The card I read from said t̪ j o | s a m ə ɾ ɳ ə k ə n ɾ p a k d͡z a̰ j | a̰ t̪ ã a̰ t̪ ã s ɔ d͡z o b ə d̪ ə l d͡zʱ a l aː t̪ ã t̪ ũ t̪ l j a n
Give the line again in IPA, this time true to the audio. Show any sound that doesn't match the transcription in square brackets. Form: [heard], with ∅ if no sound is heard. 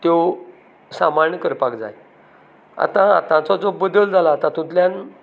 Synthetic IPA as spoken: t̪ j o | s a m [a] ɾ ɳ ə k ə [∅] ɾ p a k d͡z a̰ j | a̰ t̪ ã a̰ t̪ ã [t͡s] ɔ d͡z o b ə d̪ ə l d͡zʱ a l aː t̪ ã t̪ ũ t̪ l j a n